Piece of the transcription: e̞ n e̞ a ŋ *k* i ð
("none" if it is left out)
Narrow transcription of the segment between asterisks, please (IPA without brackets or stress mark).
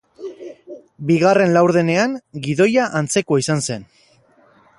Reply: ɡ